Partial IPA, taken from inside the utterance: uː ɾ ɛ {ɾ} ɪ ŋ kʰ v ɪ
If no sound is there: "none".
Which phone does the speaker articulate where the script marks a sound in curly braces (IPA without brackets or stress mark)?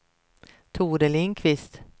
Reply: l